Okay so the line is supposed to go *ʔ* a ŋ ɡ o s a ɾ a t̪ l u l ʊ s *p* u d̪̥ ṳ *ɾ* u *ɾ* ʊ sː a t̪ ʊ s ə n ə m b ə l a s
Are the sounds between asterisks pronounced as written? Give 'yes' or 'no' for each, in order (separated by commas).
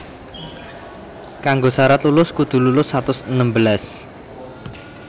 no, no, no, no